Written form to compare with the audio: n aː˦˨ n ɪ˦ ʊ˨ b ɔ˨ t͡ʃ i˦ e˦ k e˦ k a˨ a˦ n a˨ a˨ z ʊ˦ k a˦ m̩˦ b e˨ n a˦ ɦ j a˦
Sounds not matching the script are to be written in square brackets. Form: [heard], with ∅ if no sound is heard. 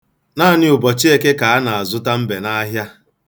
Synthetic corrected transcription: n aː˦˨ n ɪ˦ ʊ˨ b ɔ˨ t͡ʃ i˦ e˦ k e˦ k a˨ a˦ n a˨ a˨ z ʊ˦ [t] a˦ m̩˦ b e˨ n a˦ ɦ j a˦